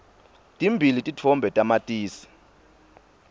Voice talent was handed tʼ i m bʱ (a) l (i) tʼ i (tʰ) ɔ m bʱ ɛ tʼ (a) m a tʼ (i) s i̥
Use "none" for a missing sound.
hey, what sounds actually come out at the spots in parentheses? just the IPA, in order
i, i, tʰ, a, iː

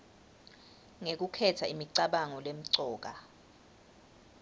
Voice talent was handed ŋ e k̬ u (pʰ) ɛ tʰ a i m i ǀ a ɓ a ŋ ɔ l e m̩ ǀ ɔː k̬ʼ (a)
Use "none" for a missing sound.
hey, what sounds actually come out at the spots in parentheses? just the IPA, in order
kʰ, a

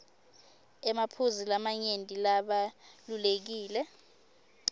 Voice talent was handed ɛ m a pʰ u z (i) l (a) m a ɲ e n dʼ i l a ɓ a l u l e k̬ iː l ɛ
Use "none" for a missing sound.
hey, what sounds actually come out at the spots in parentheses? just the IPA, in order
i, a

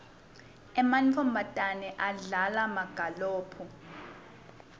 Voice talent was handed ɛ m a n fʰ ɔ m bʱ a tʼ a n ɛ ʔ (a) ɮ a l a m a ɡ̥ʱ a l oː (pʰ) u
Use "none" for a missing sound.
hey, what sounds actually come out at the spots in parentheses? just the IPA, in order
a, pʰ

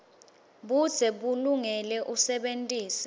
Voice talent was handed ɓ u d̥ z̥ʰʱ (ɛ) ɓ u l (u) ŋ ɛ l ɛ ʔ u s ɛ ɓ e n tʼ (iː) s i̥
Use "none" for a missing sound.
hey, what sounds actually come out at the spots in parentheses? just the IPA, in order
ɛ, u, iː

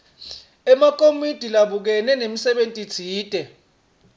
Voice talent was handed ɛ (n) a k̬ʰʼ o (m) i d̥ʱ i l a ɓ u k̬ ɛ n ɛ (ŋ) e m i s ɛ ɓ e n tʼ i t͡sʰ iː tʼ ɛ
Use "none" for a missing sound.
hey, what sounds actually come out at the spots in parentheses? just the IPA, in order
m, m, n

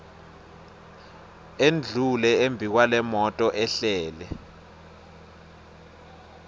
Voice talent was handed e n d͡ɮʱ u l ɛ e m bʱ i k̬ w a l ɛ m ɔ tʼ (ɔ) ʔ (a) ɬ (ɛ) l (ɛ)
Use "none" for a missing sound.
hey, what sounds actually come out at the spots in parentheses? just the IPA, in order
ɔ, ɛ, ɛː, ɛ

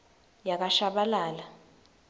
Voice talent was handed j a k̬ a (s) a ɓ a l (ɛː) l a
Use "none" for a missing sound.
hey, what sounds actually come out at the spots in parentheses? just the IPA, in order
ʃ, aː

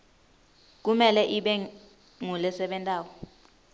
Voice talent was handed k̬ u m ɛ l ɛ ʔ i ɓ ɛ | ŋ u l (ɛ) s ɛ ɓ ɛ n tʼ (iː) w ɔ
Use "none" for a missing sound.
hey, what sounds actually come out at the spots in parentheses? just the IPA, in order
ɛ, aː

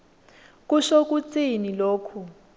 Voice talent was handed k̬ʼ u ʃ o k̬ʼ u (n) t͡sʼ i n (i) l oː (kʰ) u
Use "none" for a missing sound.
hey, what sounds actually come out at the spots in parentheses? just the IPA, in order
none, i, kʰ

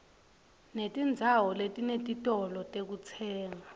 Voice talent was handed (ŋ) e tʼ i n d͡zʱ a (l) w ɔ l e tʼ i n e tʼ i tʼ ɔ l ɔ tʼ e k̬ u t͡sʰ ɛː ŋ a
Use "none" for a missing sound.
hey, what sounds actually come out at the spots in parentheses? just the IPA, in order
n, none

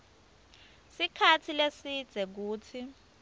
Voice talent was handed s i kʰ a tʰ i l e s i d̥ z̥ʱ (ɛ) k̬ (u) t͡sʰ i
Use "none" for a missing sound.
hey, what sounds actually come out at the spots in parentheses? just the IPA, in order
ɛ, uː

